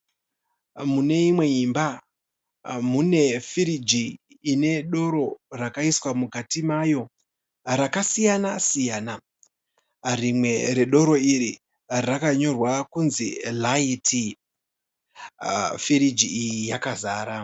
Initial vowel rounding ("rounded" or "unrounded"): rounded